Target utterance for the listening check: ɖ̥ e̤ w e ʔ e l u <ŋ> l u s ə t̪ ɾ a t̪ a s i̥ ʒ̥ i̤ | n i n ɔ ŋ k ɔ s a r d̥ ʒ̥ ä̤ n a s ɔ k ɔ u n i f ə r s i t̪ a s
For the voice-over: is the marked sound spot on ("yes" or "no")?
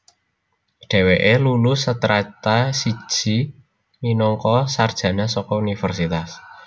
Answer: no